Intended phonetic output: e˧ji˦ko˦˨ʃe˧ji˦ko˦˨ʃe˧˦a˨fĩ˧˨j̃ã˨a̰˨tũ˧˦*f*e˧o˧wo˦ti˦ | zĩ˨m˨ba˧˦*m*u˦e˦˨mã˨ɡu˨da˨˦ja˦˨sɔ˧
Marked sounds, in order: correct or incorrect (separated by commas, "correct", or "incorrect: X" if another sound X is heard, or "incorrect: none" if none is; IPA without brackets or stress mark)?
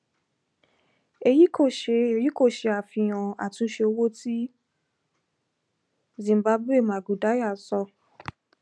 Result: incorrect: ʃ, incorrect: b